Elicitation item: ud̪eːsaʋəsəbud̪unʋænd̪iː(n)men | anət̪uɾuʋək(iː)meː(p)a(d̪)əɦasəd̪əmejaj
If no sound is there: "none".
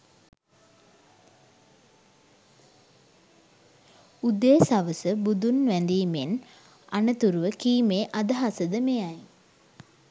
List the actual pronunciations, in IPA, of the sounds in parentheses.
none, iː, ʔ, d̪

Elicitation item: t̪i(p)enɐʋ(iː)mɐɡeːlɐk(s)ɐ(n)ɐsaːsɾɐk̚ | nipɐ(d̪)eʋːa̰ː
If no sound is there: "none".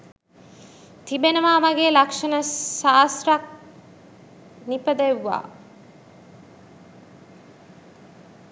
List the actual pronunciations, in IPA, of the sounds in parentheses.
b, aː, ʂ, n, d̪

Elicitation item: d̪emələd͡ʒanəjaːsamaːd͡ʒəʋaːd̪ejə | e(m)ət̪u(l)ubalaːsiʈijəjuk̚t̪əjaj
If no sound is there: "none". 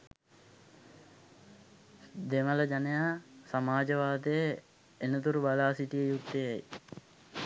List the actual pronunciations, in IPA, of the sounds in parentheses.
n, ɾ

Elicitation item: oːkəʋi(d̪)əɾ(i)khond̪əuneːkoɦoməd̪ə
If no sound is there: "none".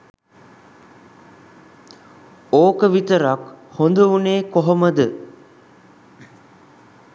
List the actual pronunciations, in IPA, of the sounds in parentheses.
t̪, a

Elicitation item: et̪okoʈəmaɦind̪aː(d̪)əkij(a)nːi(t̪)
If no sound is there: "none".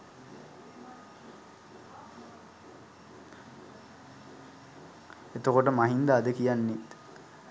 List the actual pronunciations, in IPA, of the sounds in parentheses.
d̪, a, t̪

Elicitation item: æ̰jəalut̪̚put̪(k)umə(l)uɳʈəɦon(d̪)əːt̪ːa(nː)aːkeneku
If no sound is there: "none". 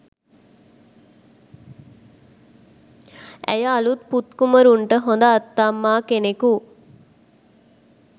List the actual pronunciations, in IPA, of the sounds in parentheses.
k, ɾ, d̪, mː

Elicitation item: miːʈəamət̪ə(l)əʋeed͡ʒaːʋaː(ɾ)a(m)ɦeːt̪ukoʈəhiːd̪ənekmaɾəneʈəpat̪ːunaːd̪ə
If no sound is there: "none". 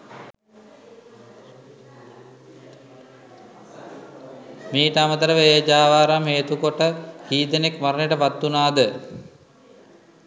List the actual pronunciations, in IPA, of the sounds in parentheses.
ɾ, ɾ, m

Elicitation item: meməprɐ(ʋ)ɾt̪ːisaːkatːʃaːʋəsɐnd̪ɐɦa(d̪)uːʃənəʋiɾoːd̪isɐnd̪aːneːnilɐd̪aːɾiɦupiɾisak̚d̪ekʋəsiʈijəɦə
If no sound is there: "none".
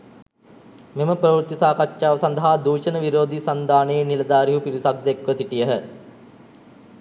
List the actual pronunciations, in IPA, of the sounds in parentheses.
ʋ, d̪

